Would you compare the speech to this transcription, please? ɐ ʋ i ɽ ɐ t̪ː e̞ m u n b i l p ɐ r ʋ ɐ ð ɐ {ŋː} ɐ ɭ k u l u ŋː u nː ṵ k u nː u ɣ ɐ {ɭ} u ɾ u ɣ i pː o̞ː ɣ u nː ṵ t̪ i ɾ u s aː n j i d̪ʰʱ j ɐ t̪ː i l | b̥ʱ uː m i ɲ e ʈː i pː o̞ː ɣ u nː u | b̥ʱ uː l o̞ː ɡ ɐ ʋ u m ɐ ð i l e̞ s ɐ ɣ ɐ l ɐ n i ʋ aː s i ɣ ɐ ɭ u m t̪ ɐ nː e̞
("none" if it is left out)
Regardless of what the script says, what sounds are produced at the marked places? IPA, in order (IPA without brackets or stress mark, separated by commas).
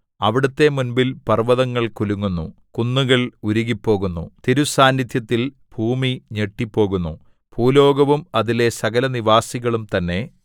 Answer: ŋː, ɭ